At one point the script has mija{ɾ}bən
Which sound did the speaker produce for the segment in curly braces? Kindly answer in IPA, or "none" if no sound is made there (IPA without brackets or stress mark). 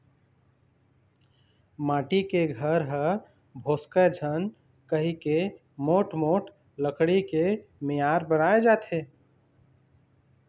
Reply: ɾ